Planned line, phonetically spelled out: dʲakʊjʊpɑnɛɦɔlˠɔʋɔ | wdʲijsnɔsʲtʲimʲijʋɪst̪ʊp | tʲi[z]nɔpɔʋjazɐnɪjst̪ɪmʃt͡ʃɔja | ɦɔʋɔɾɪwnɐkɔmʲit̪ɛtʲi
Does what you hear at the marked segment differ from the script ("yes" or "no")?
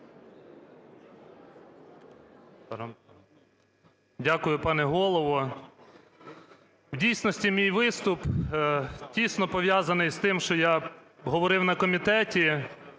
yes